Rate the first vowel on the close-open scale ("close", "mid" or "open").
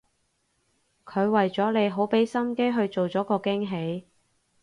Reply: mid